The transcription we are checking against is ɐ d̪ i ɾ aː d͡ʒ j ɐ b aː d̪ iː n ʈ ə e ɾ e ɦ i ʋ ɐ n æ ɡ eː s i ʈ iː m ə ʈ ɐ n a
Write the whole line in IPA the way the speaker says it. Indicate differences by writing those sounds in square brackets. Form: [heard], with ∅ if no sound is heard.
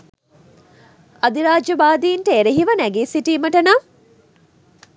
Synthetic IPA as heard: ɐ d̪ i ɾ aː d͡ʒ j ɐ b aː d̪ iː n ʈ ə e ɾ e ɦ i ʋ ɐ n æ ɡ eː s i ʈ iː m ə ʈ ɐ n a